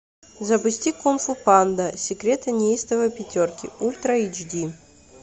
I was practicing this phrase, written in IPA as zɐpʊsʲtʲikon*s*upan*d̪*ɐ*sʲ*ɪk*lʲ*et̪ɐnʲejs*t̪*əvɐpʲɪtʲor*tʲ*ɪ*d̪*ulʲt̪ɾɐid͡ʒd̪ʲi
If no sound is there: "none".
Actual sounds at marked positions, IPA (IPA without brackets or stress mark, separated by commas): f, d̪, sʲ, ɾʲ, t̪, kʲ, none